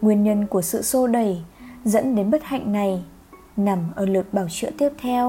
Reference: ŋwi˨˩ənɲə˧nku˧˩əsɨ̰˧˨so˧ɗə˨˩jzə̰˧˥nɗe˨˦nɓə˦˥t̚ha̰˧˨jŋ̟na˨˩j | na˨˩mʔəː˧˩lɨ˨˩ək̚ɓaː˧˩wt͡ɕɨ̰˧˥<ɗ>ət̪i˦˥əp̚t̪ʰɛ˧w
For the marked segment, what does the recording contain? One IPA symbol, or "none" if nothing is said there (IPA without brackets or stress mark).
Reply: none